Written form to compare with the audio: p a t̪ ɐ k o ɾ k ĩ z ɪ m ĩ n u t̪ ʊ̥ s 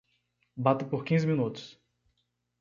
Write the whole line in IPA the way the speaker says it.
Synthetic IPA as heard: b a t̪ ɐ p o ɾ k ĩ z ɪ m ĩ n u t̪ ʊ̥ s